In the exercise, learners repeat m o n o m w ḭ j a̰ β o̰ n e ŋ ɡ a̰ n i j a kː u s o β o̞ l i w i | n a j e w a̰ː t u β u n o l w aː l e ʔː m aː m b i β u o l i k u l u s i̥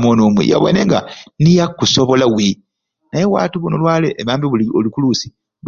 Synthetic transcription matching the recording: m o n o m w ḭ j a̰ β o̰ n e ŋ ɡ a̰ n i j a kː u s o β o̞ l a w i | n a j e w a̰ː t u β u n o l w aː l e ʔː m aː m b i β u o l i k u l u s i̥